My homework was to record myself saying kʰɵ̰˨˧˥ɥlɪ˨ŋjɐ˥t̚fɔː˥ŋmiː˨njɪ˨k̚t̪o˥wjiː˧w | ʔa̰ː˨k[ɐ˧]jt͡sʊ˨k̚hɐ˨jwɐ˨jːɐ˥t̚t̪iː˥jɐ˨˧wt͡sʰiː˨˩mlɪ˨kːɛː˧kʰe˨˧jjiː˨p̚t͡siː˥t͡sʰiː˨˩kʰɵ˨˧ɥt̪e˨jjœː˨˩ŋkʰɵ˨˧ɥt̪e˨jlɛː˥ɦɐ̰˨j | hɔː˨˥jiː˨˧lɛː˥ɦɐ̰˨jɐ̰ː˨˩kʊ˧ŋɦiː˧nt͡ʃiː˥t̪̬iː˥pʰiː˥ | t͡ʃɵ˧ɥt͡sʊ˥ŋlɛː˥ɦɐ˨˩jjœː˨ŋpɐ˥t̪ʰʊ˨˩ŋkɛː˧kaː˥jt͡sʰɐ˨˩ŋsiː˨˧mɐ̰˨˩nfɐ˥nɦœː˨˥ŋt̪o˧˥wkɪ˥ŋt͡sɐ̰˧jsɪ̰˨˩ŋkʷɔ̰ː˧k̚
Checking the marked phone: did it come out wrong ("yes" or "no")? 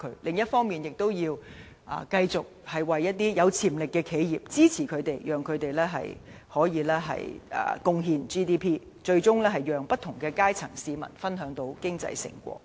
no